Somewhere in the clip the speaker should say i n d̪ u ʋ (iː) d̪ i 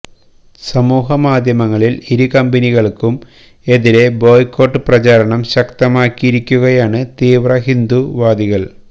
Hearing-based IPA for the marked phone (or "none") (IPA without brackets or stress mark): aː